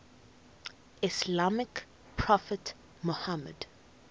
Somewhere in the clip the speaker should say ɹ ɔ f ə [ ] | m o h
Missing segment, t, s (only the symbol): t